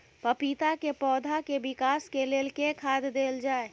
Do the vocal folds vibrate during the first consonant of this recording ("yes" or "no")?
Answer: no